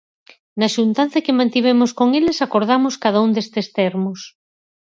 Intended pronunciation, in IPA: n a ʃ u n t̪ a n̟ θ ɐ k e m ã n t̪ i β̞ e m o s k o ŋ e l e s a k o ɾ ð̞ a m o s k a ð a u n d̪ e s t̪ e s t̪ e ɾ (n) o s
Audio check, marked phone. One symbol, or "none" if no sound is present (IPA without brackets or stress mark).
m